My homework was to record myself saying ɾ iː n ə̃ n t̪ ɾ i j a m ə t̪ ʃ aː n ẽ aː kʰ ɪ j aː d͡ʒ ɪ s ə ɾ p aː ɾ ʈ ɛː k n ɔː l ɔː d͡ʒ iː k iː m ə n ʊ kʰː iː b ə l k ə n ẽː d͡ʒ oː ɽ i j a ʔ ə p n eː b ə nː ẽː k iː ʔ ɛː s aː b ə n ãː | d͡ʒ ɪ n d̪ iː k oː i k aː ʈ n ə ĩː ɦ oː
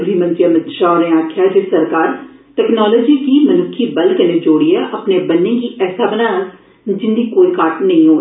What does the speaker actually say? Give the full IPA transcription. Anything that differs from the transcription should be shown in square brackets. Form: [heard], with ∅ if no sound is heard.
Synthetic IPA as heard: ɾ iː [m] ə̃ n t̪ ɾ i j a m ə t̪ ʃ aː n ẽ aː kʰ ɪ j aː d͡ʒ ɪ s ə ɾ [k] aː ɾ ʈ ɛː k n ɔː l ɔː d͡ʒ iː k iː m ə n ʊ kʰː iː b ə l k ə n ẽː d͡ʒ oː ɽ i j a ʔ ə p n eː b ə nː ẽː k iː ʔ ɛː s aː b ə n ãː | d͡ʒ ɪ n d̪ iː k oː i k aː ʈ n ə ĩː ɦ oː

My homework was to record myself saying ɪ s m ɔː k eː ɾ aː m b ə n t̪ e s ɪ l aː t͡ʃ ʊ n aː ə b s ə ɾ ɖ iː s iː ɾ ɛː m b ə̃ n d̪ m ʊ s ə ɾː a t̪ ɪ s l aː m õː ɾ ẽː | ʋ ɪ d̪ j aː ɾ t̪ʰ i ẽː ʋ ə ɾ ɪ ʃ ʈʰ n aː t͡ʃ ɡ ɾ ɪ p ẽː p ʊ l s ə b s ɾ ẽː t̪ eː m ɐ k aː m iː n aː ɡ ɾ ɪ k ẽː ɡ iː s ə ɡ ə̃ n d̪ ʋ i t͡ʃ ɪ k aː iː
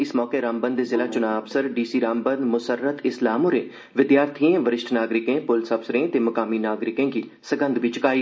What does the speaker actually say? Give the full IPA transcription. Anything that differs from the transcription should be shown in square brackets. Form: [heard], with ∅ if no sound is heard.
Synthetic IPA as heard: ɪ s m ɔː k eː ɾ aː m b ə n [d̪] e [z] ɪ l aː t͡ʃ ʊ n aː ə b s ə ɾ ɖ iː s iː ɾ [aː] m b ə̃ n d̪ m ʊ s ə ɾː [ə] t̪ ɪ s l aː m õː ɾ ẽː | ʋ ɪ d̪ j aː ɾ t̪ʰ i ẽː ʋ ə ɾ ɪ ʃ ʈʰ n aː [∅] ɡ ɾ ɪ [k] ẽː p ʊ l s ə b s ɾ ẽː t̪ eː m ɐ k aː m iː n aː ɡ ɾ ɪ k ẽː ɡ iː s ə ɡ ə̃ n d̪ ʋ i t͡ʃ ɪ k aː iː

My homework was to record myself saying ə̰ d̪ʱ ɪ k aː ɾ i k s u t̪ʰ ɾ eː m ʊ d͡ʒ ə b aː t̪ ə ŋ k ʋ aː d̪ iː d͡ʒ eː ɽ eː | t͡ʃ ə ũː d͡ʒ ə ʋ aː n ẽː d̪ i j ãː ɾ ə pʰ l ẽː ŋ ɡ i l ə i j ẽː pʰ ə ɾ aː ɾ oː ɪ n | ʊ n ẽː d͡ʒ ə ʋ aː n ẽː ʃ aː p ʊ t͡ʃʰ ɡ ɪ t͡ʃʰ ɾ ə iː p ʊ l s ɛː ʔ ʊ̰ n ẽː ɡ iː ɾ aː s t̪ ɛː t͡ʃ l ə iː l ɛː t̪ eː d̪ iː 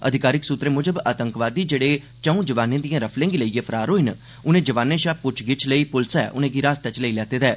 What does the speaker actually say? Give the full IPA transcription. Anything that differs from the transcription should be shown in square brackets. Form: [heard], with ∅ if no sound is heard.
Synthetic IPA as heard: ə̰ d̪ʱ ɪ k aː ɾ [ɪ] k s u [t̪] ɾ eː m ʊ d͡ʒ ə b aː t̪ ə ŋ k ʋ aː d̪ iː d͡ʒ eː ɽ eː | t͡ʃ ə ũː d͡ʒ ə ʋ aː n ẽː d̪ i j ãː ɾ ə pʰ l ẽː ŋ ɡ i l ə i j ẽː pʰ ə ɾ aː ɾ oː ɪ n | ʊ n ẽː d͡ʒ ə ʋ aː n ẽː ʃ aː p ʊ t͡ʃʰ ɡ ɪ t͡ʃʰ [l] ə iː p ʊ l s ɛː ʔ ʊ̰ n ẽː ɡ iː ɾ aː s t̪ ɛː t͡ʃ l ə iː l ɛː t̪ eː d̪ [ɛː]

